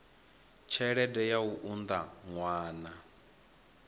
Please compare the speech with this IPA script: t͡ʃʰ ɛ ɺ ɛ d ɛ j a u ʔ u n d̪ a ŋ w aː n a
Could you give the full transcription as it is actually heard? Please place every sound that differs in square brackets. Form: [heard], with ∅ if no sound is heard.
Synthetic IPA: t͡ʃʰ ɛ ɺ ɛ d ɛ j a u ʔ u n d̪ a ŋ w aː n a